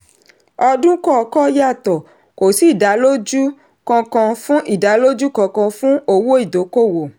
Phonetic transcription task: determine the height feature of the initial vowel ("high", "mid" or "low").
mid